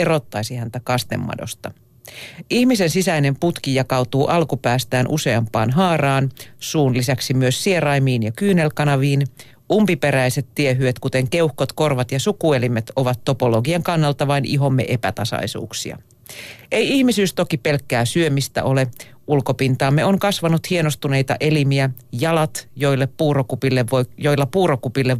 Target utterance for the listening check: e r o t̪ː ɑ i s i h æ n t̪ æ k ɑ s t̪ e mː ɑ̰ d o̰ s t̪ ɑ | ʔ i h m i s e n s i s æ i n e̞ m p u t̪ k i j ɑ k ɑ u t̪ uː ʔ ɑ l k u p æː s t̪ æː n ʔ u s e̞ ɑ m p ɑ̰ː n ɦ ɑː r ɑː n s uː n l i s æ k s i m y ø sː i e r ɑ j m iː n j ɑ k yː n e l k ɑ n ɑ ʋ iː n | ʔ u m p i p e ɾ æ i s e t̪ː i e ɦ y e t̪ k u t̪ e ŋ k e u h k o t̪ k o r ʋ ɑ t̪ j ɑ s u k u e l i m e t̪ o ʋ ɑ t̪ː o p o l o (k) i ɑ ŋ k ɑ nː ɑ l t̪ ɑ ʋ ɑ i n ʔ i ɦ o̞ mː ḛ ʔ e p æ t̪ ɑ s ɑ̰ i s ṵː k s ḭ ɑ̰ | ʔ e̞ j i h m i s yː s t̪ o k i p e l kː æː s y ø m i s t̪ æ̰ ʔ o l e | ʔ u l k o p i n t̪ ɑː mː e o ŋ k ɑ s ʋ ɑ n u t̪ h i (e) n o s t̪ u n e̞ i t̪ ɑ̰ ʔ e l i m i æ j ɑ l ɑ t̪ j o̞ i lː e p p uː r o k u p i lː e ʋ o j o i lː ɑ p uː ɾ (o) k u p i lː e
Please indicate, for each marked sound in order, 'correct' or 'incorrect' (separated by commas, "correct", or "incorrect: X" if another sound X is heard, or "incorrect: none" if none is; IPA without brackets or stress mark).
incorrect: ɡ, correct, correct